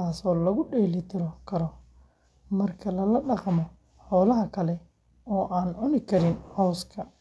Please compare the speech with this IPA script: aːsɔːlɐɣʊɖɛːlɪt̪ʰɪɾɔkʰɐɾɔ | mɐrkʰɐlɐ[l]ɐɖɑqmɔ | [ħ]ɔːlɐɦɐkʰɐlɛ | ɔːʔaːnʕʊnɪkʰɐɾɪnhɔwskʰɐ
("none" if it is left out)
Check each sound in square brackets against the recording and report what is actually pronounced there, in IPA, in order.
l, ħ

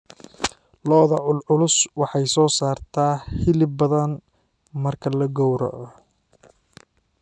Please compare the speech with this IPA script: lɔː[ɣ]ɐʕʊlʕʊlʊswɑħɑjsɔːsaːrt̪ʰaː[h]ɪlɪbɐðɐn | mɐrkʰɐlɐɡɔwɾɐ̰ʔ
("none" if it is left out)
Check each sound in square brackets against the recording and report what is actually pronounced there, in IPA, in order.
ð, h

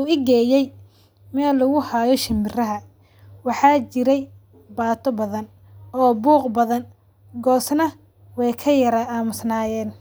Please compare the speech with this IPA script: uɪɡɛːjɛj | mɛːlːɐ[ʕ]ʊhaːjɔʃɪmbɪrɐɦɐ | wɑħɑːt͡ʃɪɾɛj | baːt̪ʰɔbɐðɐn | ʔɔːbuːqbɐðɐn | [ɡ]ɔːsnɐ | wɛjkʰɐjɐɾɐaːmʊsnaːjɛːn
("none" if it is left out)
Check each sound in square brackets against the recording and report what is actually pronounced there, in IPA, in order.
ɣ, ɡ

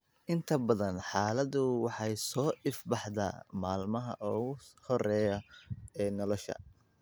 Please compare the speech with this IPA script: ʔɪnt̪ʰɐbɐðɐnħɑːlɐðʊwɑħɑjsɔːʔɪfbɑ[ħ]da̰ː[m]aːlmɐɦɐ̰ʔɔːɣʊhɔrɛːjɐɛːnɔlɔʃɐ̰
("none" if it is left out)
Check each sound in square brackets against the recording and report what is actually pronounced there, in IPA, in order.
ħ, m

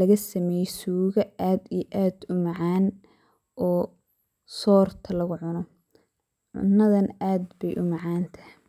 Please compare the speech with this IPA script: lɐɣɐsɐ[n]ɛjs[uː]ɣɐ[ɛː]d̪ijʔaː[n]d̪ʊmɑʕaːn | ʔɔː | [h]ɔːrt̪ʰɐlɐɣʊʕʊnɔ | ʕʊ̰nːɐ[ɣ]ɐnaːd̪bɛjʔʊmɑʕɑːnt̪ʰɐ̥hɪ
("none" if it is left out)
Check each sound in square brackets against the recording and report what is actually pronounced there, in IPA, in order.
m, uː, aː, none, s, ð

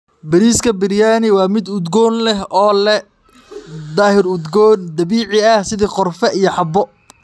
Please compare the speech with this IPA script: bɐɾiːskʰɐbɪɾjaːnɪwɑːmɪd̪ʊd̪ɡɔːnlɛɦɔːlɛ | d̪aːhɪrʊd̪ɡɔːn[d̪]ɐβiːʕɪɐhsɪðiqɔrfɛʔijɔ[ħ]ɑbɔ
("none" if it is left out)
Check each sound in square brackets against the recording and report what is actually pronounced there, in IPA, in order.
d̪, ħ

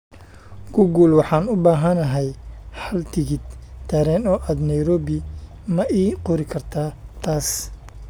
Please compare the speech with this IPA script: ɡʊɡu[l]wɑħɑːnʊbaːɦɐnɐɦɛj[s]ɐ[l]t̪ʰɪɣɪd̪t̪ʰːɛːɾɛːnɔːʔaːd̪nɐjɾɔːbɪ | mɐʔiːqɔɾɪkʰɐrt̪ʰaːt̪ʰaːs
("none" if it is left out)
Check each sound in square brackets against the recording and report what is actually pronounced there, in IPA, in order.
l, ħ, l

